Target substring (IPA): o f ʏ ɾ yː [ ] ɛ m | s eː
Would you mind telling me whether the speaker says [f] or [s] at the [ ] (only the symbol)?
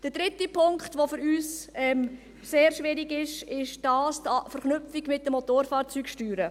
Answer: s